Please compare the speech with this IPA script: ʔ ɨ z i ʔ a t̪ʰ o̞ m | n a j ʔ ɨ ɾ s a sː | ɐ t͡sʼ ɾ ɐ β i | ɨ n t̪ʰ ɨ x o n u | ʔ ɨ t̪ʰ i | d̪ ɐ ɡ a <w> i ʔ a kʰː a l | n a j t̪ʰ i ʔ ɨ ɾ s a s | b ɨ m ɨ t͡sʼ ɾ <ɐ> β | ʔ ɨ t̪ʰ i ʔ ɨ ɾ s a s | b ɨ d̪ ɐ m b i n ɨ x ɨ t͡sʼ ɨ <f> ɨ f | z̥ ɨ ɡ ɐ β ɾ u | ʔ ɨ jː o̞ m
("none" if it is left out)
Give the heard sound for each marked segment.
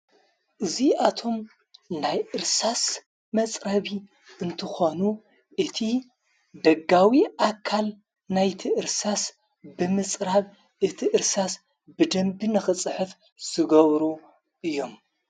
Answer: w, a, ħ

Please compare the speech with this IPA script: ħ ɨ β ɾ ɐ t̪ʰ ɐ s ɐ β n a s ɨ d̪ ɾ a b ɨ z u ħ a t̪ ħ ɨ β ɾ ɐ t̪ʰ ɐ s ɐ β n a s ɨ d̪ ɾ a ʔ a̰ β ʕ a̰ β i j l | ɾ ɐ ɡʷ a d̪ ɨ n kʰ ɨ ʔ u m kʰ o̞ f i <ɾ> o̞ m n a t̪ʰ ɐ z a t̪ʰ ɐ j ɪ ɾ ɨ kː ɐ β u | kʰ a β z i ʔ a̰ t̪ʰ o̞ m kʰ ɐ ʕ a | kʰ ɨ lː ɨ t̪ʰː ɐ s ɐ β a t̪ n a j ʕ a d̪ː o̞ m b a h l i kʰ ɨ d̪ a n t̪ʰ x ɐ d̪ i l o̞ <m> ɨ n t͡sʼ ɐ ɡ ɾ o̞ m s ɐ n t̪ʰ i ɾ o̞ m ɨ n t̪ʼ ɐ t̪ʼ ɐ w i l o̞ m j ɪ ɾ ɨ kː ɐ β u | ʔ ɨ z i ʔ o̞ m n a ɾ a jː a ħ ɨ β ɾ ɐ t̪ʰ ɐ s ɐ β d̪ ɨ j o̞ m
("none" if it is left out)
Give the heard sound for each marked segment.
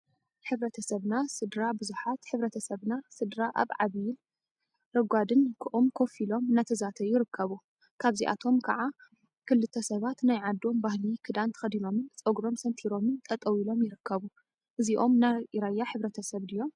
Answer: l, m

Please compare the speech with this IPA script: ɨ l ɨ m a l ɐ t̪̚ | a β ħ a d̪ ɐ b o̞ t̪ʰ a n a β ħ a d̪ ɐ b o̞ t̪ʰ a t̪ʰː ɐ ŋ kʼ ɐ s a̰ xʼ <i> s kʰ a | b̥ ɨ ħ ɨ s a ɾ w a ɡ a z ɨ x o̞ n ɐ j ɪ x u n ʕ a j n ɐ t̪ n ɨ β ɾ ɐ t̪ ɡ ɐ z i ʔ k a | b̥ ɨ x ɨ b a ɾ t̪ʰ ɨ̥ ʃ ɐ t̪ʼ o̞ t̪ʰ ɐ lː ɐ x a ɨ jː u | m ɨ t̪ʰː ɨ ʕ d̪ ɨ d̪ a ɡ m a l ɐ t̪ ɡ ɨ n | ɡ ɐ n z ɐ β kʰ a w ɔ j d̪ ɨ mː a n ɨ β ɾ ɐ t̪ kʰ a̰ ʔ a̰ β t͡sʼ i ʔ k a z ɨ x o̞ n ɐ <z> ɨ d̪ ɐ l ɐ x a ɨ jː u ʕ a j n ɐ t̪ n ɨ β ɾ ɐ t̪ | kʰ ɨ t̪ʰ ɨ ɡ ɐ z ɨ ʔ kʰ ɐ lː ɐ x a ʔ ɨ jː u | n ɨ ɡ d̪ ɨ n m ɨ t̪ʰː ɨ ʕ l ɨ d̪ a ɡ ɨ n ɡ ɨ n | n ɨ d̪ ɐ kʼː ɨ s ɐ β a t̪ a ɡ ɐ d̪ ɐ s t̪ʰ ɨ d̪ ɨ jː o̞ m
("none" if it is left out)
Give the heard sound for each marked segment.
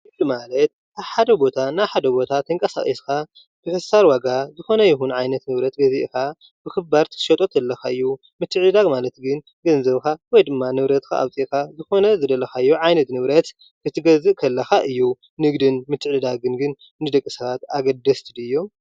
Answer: i, z

